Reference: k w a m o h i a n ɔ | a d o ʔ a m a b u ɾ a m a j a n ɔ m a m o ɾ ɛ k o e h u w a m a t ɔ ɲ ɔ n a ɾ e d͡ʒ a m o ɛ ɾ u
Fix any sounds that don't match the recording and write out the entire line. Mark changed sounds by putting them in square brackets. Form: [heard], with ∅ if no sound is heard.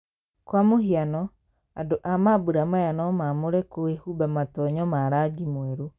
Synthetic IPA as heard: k w a m o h i a n ɔ | a d o ʔ a m a b u ɾ a m a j a n ɔ m a m o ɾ ɛ k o e h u [b] a m a t ɔ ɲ ɔ [m] a ɾ [a] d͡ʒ [i] m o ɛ ɾ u